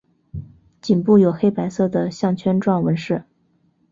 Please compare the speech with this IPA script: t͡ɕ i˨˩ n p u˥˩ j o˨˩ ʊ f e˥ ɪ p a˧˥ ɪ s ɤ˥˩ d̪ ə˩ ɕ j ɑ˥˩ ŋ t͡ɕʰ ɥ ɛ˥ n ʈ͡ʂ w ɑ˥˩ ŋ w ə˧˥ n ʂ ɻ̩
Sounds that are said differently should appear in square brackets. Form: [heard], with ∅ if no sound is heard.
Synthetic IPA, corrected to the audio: t͡ɕ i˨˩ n p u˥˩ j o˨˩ ʊ [x] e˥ ɪ p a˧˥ ɪ s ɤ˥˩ d̪ ə˩ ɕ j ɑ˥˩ ŋ t͡ɕʰ ɥ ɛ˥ n ʈ͡ʂ w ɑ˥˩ ŋ w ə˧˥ n ʂ ɻ̩